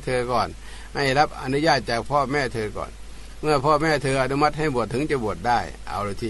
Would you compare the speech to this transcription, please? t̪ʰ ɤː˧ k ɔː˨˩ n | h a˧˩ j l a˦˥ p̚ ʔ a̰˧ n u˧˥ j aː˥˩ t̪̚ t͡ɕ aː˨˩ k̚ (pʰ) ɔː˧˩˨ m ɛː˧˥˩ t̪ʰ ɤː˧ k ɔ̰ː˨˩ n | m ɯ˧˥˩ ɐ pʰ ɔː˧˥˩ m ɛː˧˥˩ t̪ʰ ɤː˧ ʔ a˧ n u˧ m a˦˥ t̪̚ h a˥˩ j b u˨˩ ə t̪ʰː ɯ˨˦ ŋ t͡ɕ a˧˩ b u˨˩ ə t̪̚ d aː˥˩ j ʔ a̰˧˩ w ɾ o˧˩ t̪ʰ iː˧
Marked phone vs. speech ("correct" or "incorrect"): correct